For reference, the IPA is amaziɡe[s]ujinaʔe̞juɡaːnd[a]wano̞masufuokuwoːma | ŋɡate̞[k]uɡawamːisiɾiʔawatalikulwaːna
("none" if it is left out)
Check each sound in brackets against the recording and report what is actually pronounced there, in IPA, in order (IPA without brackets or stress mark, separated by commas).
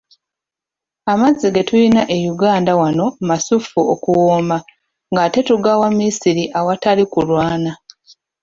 t, a, t